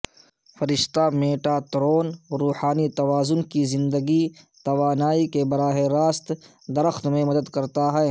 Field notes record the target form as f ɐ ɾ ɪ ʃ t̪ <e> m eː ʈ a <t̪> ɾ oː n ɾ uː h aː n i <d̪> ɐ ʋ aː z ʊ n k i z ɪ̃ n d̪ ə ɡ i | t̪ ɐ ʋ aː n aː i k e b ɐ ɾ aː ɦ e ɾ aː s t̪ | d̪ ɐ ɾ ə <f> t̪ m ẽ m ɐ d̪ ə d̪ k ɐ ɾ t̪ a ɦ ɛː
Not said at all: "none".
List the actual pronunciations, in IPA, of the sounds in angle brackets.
a, t̪, t̪, x

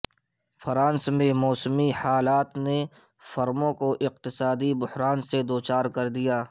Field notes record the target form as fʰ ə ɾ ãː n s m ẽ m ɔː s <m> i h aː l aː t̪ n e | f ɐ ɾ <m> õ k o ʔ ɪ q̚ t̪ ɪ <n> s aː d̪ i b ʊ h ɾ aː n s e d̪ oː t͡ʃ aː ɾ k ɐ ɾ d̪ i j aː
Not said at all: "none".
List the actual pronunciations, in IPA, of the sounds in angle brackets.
m, m, none

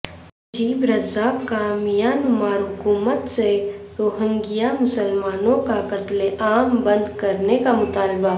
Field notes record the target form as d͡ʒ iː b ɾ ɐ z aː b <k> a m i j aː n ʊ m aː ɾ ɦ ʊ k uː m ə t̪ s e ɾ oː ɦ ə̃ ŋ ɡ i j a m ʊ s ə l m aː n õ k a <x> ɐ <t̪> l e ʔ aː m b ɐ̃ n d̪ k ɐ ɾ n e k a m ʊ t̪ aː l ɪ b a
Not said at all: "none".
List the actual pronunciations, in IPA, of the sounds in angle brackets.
k, k, t̪

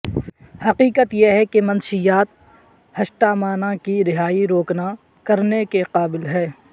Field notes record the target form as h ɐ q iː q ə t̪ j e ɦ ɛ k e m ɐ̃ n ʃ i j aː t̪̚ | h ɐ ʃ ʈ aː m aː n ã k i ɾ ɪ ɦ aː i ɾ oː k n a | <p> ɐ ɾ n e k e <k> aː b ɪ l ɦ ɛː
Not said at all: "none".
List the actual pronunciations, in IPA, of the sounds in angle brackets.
k, q

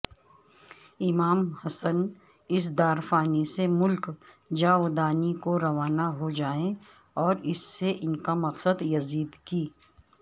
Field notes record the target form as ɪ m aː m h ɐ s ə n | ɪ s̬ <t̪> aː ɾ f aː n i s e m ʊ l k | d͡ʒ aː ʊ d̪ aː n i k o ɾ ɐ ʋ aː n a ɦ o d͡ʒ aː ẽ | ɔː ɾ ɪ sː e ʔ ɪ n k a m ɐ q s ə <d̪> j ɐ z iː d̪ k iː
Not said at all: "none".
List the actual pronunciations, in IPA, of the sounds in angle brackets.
d̪, d̪

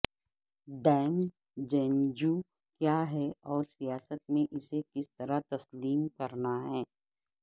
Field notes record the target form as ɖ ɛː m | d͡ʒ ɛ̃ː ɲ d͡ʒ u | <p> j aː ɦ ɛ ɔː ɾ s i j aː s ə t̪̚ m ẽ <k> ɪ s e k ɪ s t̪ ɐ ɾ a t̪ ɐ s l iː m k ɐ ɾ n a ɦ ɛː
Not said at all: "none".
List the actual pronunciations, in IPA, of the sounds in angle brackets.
k, ʔ

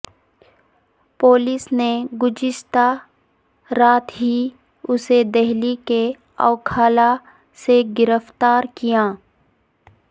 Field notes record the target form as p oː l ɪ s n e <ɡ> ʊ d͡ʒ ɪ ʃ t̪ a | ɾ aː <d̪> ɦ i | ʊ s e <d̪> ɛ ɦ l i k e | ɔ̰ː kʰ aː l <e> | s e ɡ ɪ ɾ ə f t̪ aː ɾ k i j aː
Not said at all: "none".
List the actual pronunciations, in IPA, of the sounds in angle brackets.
ɡ, t̪, d̪, a

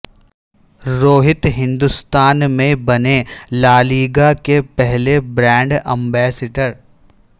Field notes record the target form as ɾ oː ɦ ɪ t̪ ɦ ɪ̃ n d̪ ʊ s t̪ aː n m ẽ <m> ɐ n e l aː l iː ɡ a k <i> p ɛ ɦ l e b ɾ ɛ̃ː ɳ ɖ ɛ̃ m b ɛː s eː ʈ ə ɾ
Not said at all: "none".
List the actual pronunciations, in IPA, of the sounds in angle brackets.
b, e

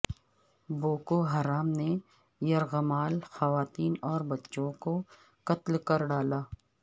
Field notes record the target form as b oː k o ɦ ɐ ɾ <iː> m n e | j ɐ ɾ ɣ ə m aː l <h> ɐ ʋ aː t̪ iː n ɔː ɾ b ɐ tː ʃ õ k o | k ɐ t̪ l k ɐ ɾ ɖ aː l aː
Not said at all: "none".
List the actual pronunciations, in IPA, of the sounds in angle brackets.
aː, x

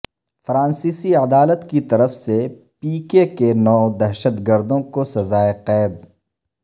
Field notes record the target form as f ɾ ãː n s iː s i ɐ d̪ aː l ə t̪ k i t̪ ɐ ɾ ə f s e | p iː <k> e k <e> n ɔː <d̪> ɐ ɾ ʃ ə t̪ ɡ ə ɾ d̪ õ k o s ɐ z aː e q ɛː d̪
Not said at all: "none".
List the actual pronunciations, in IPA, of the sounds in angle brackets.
k, e, d̪

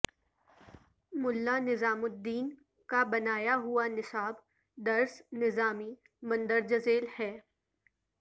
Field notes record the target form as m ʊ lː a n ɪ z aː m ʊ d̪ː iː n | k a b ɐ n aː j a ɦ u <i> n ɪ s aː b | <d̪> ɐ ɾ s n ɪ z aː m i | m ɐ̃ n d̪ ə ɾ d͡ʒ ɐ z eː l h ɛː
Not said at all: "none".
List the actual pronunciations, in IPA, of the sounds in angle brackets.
a, d̪

